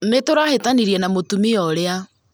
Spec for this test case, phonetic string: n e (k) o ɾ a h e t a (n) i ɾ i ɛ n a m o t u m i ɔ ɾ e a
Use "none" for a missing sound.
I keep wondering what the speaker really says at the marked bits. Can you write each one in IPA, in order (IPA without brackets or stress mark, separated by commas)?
t, n